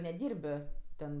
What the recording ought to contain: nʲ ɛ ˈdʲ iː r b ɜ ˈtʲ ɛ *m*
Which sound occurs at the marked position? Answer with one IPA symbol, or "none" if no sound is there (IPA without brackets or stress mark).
n